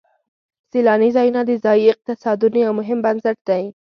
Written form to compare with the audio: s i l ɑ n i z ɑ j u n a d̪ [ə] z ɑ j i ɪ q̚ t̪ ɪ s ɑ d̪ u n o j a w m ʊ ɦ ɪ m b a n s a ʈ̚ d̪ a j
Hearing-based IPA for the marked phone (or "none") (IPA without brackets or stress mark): ə